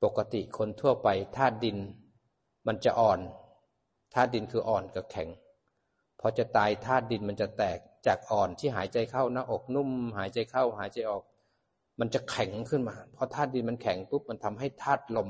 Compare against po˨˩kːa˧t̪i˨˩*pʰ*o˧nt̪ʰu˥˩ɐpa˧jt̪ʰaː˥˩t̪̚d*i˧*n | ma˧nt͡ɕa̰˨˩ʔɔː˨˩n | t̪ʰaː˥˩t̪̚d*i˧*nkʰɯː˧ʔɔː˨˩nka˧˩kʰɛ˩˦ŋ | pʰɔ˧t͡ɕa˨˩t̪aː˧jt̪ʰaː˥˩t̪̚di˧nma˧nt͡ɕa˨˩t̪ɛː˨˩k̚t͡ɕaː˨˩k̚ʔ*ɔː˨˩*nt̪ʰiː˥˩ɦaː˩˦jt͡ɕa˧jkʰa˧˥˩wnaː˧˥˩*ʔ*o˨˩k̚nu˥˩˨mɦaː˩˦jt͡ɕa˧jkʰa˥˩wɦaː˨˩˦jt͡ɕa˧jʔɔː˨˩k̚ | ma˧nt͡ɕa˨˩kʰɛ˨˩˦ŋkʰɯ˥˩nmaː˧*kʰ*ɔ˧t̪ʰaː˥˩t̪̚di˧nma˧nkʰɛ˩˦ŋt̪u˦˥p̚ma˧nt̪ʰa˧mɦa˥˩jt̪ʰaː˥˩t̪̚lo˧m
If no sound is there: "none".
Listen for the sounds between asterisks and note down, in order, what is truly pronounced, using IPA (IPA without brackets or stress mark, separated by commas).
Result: kʰ, i˧, i˧, ɔː˨˩, ʔ, pʰ